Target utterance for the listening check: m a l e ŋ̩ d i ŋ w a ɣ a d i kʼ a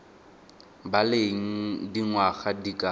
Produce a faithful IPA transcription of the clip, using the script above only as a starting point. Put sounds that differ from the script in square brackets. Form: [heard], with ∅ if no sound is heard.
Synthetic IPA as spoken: [b] a l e ŋ̩ d i ŋ w a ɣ a d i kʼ a